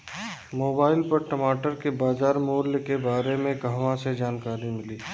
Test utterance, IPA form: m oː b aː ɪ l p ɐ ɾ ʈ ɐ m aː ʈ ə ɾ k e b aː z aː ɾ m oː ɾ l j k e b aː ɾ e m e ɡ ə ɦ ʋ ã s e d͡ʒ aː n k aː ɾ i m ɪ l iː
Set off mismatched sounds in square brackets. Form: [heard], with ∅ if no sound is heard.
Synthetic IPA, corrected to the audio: m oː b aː ɪ l p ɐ ɾ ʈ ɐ m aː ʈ ə ɾ k e b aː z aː ɾ m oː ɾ l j k e b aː ɾ e m [ẽ] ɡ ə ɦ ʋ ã s e d͡ʒ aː n k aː ɾ i m ɪ l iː

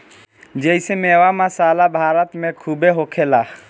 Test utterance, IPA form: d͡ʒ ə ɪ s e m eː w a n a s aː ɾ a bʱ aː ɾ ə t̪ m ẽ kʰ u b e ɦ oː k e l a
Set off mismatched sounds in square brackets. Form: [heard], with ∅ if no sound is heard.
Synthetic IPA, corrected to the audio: d͡ʒ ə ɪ s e m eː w a [m] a s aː [l] a bʱ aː ɾ ə t̪ m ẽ kʰ u b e ɦ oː [kʰ] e l a

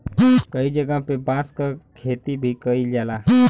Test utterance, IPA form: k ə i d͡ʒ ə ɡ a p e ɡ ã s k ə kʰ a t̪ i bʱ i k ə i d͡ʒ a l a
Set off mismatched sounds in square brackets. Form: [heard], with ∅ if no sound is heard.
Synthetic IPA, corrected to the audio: k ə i d͡ʒ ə ɡ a p e [b] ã s k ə kʰ [e] t̪ i bʱ i k ə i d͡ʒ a l a

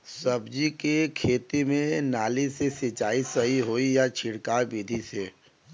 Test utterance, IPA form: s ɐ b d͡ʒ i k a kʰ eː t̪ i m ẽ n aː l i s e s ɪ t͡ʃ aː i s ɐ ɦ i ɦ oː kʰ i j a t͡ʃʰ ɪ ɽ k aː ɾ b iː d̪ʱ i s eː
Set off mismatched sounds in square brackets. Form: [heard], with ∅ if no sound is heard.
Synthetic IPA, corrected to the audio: s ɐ b d͡ʒ i k [e] kʰ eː t̪ i m ẽ n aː l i s e s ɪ t͡ʃ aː i s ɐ ɦ i ɦ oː [∅] i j a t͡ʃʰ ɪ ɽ k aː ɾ b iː d̪ʱ i s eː

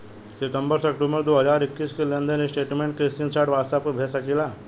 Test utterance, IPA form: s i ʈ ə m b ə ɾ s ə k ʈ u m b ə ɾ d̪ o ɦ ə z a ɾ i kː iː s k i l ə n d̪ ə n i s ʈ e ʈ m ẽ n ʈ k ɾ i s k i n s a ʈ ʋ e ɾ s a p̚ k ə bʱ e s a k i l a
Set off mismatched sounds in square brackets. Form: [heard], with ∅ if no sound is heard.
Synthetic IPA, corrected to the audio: s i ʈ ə m b ə ɾ s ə k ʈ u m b ə ɾ d̪ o ɦ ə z a ɾ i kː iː s k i l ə n d̪ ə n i s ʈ e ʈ m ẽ [ɳ] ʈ k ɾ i s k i n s a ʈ ʋ [a] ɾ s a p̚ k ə bʱ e s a k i l a

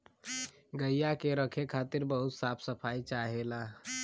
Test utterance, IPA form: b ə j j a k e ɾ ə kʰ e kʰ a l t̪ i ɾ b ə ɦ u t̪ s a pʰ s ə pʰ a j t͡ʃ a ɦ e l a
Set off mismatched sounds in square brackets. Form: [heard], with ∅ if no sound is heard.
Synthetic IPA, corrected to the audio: [ɡ] ə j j a k e ɾ ə kʰ e kʰ a [∅] t̪ i ɾ b ə ɦ u t̪ s a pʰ s ə pʰ a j t͡ʃ a ɦ e l a

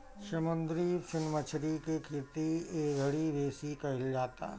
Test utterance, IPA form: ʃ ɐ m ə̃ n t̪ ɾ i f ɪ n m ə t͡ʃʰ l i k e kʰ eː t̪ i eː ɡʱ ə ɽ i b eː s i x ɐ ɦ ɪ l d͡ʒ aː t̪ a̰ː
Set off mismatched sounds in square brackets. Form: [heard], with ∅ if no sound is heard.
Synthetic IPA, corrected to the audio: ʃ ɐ m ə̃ n [d̪] ɾ i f ɪ n m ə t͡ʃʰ [ɾ] i k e kʰ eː t̪ i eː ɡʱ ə ɽ i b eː s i [k] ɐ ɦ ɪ l d͡ʒ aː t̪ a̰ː

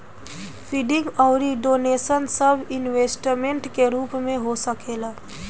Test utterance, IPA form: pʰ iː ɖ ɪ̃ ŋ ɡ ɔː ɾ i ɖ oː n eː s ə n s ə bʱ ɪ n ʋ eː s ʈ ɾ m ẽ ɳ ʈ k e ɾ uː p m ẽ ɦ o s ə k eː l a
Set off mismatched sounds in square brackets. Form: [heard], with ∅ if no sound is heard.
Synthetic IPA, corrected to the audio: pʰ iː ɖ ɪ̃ ŋ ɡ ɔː ɾ i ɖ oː n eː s ə n s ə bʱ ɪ n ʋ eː s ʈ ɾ m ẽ ɳ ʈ k e ɾ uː p m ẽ ɦ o s ə k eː l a

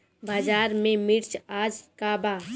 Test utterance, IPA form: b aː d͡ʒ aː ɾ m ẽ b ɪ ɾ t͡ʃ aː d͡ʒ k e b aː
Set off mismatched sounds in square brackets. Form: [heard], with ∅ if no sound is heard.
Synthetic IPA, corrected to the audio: b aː d͡ʒ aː ɾ m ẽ [m] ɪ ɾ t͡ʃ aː d͡ʒ k [a] b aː

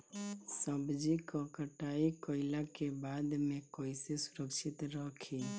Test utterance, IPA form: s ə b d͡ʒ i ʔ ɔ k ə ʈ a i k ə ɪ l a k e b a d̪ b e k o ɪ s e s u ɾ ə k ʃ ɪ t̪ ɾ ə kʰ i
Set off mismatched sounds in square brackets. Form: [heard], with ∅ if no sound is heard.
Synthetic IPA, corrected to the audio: s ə b d͡ʒ i [k] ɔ k ə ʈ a i k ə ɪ l a k e b a d̪ [m] e k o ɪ s e s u ɾ ə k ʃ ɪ t̪ ɾ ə kʰ i

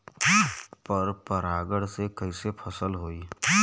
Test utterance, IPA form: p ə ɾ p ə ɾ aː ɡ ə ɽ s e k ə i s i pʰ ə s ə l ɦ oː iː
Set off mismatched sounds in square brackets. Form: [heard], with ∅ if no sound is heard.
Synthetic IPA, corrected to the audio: p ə ɾ p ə ɾ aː ɡ ə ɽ s e k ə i s [e] pʰ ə s ə l ɦ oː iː

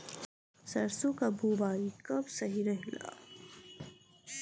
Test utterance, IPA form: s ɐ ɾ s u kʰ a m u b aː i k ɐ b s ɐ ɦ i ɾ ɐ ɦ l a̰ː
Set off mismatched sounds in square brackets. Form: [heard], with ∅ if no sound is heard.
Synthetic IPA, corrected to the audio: s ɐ ɾ s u [k] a [b] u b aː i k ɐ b s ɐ ɦ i ɾ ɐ ɦ l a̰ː

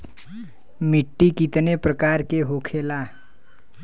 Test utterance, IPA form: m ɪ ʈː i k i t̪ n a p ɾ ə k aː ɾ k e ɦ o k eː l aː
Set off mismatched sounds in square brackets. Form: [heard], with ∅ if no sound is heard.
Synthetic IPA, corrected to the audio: m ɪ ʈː i k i t̪ n [e] p ɾ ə k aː ɾ k e ɦ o [kʰ] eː l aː

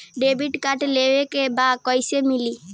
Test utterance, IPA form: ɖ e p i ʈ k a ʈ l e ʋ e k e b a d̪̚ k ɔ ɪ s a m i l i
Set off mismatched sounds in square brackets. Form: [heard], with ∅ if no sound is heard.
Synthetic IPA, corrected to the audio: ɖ e [b] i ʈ k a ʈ l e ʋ e k e b a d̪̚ k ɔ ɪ s [e] m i l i

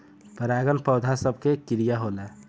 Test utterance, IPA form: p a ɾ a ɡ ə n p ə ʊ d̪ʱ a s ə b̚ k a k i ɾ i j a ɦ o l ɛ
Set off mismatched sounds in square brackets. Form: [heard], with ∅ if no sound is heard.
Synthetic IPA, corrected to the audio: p [ə] ɾ a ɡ ə n p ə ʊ d̪ʱ a s ə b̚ k [e] k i ɾ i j a ɦ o l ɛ

